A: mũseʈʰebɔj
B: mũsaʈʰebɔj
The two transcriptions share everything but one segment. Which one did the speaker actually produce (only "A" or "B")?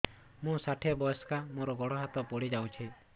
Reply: B